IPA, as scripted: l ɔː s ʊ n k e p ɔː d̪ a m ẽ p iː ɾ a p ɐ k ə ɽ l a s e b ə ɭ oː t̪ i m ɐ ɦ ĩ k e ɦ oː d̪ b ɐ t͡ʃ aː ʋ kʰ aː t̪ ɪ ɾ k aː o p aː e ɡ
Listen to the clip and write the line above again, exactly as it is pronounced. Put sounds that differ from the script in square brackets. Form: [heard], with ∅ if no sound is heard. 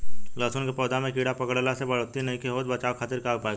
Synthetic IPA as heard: l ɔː s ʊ n k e p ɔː d̪ a m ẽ [k] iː [ɽ] a p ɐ k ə ɽ l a s e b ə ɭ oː t̪ i [n] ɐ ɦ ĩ k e ɦ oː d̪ b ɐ t͡ʃ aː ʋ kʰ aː t̪ ɪ ɾ k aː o p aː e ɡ